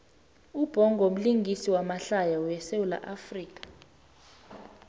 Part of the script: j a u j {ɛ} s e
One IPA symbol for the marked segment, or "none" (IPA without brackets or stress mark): ɛ